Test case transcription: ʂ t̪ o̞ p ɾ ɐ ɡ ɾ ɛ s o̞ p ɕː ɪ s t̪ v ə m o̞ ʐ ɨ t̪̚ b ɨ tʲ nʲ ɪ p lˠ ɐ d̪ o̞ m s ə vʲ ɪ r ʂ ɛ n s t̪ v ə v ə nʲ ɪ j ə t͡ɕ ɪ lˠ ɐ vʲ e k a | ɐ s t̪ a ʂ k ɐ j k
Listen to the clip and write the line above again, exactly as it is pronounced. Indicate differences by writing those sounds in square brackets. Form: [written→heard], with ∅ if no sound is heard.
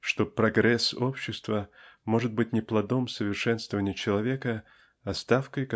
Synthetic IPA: ʂ t̪ o̞ p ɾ ɐ ɡ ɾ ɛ s o̞ p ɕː ɪ s t̪ v ə m o̞ ʐ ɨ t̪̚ b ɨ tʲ nʲ ɪ p lˠ ɐ d̪ o̞ m s ə vʲ ɪ r ʂ ɛ n s t̪ v ə v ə nʲ ɪ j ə t͡ɕ ɪ lˠ ɐ vʲ e k [a→ə] | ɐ s t̪ a [ʂ→f] k [ɐ→ə] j k